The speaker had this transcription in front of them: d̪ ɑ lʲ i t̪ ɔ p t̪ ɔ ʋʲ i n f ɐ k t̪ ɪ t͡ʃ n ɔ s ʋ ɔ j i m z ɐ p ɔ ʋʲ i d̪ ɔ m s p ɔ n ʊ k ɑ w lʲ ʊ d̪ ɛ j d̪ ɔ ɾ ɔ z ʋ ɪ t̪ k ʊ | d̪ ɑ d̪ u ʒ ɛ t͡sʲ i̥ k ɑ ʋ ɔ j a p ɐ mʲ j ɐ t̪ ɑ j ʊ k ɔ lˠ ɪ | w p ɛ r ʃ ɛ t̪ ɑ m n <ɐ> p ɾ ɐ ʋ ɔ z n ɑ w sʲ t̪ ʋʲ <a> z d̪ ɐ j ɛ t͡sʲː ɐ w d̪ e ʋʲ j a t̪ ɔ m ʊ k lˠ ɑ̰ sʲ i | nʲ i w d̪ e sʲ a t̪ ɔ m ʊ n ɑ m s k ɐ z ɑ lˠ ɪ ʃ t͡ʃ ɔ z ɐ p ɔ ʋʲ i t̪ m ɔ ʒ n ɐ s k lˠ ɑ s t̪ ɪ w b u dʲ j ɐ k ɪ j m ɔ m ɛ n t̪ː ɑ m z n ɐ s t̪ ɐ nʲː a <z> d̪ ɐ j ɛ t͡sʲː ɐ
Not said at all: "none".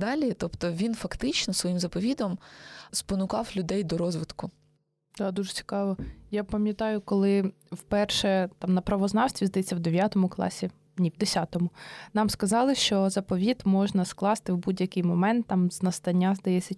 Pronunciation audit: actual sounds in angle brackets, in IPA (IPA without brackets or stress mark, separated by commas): ɐ, i, z